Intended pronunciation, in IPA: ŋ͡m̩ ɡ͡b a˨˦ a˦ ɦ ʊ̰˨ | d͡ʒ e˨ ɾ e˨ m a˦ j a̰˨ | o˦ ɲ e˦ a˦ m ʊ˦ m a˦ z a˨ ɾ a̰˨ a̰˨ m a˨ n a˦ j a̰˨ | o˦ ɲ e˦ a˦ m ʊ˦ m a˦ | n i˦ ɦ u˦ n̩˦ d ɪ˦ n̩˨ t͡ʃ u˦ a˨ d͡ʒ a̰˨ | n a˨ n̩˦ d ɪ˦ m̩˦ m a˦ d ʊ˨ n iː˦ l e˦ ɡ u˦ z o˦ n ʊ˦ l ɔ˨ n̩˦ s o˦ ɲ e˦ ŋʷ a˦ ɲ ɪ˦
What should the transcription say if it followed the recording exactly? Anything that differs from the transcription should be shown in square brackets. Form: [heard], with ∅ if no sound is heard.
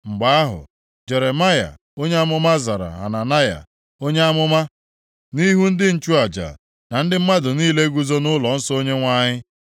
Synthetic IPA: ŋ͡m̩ ɡ͡b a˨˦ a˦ ɦ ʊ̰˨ | d͡ʒ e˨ ɾ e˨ m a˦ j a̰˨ | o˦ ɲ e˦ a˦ m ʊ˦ m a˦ z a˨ ɾ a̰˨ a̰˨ [n] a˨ n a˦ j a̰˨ | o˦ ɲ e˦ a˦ m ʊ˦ m a˦ | n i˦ ɦ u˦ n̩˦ d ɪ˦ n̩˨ t͡ʃ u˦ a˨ d͡ʒ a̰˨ | n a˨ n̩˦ d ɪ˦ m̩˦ m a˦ d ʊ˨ n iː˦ l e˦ ɡ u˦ z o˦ n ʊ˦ l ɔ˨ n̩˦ s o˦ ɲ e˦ ŋʷ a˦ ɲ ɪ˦